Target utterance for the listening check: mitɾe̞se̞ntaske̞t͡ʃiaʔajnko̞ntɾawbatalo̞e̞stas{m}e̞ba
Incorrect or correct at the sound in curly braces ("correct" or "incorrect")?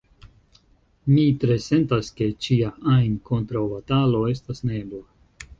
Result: incorrect